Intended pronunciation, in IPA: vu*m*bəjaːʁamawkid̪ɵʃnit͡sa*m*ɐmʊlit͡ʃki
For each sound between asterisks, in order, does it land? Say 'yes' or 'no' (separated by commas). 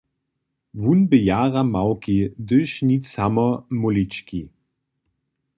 no, yes